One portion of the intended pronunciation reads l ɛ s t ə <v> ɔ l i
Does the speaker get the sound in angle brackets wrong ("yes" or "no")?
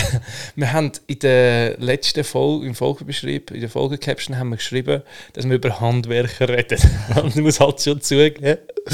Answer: yes